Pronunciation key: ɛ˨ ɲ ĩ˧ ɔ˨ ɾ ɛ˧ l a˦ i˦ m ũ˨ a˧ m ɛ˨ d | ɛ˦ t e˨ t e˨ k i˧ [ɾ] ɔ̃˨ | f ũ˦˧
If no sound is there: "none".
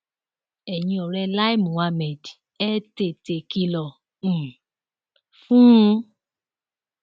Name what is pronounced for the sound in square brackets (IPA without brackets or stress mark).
l